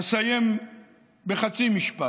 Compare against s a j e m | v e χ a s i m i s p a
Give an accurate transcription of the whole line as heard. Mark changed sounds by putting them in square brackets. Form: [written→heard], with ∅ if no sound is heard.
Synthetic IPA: s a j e m | [v→b] e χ a [s→t͡s] i m i [s→ʃ] p a